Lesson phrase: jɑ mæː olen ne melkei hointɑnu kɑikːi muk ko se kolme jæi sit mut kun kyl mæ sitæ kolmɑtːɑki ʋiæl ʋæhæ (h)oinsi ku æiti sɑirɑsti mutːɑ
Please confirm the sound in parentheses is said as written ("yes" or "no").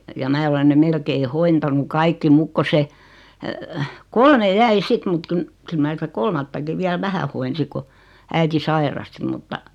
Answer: yes